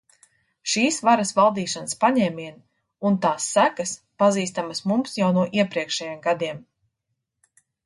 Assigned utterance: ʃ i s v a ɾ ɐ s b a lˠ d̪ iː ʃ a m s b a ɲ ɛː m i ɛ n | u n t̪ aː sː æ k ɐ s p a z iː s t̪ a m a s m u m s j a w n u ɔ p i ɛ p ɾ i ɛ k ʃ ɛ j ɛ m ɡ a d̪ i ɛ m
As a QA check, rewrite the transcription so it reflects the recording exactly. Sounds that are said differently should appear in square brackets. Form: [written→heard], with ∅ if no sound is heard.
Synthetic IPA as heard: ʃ [i→iː] s v a ɾ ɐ s [b→v] a lˠ d̪ iː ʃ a [m→n] s [b→p] a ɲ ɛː m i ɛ n | u n t̪ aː sː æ k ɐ s p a z iː s t̪ a m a s m u m s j a w n u ɔ [p→ʔ] i ɛ p ɾ i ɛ k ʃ ɛ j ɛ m ɡ a d̪ i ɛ m